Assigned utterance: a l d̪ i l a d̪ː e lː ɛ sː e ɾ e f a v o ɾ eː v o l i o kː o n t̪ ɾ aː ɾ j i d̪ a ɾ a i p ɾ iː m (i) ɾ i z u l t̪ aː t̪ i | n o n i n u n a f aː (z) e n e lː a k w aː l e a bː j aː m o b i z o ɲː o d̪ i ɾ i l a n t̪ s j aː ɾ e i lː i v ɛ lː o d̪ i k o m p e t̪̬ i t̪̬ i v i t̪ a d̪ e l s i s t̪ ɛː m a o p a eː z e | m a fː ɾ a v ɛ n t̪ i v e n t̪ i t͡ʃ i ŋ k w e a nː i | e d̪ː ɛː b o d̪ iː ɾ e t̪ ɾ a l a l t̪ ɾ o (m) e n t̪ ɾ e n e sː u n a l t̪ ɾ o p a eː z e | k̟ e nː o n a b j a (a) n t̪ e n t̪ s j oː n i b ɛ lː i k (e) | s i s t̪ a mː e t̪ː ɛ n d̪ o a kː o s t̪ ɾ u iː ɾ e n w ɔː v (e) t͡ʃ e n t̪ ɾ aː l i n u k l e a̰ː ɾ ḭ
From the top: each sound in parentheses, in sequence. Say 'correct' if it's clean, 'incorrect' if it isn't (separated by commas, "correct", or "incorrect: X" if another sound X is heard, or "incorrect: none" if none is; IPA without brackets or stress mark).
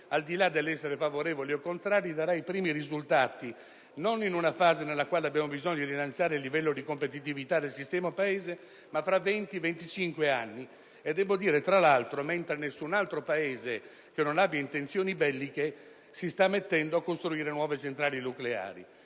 correct, correct, correct, incorrect: i, correct, correct